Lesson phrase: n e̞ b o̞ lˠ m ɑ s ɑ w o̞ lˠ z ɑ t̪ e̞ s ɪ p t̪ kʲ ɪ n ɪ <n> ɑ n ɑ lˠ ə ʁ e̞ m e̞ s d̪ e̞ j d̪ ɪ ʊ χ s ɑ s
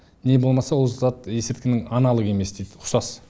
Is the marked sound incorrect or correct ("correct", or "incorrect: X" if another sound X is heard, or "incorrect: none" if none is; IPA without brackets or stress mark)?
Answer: incorrect: ŋ